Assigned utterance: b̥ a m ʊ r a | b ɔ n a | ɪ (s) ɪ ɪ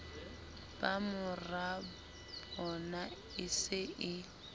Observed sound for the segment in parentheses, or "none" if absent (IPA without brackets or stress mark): s